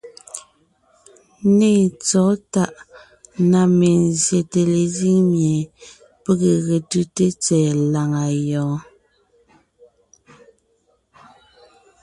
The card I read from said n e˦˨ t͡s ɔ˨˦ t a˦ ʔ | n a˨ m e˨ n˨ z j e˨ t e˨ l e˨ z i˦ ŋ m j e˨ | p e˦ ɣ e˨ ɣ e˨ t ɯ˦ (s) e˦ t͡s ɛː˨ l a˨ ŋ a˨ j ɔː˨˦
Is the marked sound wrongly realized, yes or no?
yes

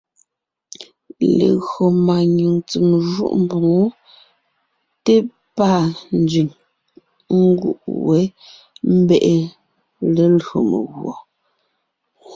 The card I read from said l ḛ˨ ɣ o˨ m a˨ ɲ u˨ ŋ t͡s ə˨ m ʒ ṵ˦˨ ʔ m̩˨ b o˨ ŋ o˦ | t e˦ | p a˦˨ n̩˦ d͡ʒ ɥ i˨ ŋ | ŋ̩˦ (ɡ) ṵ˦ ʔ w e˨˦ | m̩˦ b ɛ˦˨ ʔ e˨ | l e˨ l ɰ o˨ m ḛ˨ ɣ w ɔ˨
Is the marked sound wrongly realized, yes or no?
no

